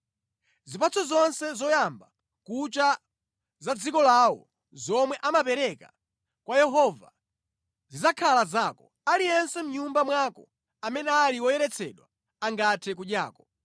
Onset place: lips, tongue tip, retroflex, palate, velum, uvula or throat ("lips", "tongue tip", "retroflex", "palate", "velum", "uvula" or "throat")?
tongue tip